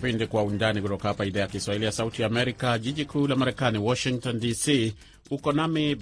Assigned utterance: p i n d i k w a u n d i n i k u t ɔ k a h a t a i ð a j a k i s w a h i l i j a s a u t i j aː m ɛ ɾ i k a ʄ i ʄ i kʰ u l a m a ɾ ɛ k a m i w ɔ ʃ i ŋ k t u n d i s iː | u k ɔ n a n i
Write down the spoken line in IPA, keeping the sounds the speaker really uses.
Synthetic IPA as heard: p i n d i k w a u n d a n i k u t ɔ k a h a p a i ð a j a k i s w a h i l i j a s a u t i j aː m ɛ ɾ i k a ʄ i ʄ i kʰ u l a m a ɾ ɛ k a n i w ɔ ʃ i ŋ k t ɔ n d i s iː | u k ɔ n a m i